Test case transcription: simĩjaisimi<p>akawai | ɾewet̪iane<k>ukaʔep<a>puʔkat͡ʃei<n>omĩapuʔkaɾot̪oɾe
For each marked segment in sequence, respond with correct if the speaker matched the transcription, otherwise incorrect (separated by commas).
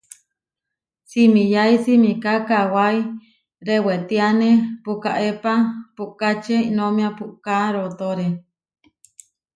incorrect, incorrect, correct, correct